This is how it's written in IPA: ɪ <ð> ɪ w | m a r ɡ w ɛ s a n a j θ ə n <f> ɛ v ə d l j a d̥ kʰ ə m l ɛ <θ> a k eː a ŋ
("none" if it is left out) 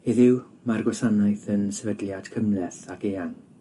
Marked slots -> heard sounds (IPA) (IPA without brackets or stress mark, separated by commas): ð, s, θ